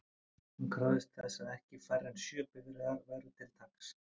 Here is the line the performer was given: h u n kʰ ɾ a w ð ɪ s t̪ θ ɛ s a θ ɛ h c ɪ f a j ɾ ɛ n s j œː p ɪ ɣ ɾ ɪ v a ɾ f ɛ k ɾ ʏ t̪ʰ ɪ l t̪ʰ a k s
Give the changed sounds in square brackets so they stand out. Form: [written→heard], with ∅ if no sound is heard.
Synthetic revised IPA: h u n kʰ ɾ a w ð ɪ s t̪ θ ɛ s a [θ→ð] ɛ h c ɪ f a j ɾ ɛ n s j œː p ɪ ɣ ɾ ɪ [v→ð] a ɾ [f→v] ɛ [k→∅] ɾ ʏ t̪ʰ ɪ l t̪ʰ a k s